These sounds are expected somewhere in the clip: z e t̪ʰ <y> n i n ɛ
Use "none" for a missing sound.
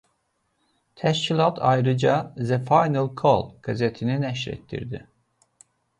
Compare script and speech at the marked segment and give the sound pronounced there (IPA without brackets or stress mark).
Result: i